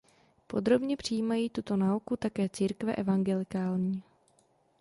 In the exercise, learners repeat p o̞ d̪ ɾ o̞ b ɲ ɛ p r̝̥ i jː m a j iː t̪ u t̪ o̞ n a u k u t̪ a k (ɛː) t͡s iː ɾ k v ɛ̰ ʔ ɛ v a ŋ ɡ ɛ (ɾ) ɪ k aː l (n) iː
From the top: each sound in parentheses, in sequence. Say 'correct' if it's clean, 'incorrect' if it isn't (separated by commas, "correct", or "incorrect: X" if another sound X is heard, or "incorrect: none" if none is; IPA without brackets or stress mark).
correct, incorrect: l, incorrect: ɲ